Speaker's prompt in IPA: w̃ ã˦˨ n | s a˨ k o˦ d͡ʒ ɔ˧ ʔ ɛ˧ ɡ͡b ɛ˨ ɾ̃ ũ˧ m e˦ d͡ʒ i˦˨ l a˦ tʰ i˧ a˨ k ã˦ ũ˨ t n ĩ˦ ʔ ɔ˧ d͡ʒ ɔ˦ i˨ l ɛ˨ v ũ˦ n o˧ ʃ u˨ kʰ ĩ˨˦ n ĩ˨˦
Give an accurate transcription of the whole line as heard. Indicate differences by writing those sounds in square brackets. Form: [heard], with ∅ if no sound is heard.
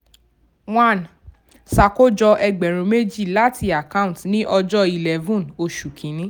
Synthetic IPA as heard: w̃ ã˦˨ n | s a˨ k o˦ d͡ʒ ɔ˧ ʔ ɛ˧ ɡ͡b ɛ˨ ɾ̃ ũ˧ m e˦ d͡ʒ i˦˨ l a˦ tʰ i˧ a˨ k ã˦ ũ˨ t n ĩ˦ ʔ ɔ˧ d͡ʒ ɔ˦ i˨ l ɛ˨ v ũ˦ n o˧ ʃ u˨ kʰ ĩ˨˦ n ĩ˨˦